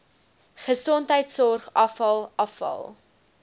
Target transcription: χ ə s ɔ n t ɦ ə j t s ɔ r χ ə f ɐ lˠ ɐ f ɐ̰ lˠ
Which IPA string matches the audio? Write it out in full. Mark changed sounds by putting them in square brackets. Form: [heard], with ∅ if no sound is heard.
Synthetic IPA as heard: χ ə s ɔ n t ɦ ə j t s ɔ r χ [ɐ] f ɐ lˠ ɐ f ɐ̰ lˠ